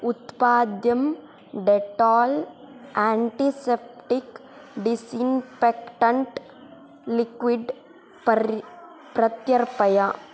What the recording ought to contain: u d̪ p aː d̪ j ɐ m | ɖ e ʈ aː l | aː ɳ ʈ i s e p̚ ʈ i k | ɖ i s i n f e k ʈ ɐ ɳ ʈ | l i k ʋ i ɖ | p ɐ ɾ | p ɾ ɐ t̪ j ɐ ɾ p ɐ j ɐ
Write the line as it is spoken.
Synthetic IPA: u t̪ p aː d̪ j ɐ m | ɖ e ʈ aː l | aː ɳ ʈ i s e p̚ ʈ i k | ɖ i s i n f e k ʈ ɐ ɳ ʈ | l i k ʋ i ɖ | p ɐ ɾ | p ɾ ɐ t̪ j ɐ ɾ p ɐ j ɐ